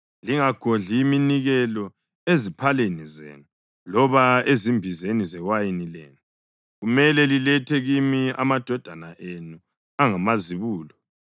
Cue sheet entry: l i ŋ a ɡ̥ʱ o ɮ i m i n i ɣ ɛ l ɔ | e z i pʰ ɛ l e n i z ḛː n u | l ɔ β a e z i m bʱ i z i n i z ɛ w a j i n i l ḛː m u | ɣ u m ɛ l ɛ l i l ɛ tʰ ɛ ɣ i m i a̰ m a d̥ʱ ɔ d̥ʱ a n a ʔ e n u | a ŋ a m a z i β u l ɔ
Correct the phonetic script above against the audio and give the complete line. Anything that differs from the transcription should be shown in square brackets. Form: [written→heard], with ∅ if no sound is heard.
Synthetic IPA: l i ŋ a ɡ̥ʱ o ɮ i m i n i ɣ ɛ l ɔ | e z i pʰ [ɛ→a] l e n i z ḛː n u | l ɔ β a e z i m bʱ i z [i→e] n i z ɛ w a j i n i l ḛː [m→n] u | ɣ u m ɛ l ɛ l i l ɛ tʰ ɛ ɣ i m i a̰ m a d̥ʱ ɔ d̥ʱ a n a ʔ e n u | a ŋ a m a z i β [u→uː] l ɔ